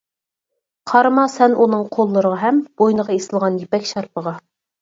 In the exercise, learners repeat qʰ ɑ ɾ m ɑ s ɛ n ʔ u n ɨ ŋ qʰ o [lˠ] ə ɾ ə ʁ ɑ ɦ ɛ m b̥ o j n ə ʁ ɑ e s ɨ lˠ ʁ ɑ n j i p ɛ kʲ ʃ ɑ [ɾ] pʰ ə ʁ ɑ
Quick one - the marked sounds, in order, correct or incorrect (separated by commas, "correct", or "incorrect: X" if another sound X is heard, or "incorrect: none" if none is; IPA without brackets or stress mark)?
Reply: incorrect: lˠː, correct